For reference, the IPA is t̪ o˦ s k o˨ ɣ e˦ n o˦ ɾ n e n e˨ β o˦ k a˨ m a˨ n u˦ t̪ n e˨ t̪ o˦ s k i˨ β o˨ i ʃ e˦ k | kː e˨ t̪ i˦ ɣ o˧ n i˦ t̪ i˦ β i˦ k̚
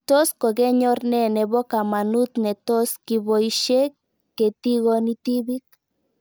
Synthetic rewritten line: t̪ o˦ s k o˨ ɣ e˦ ɲ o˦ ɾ n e n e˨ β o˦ k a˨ m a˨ n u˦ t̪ n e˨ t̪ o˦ s k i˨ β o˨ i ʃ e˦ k | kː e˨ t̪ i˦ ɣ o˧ n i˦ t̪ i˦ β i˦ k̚